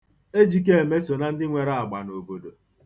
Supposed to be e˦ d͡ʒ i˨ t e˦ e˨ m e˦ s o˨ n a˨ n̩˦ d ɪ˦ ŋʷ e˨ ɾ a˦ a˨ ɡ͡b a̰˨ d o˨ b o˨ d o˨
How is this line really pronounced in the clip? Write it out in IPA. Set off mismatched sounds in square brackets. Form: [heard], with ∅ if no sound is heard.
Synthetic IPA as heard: e˦ d͡ʒ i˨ [k] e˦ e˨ m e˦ s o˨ n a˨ n̩˦ d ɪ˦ ŋʷ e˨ ɾ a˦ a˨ ɡ͡b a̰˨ [n] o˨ b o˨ d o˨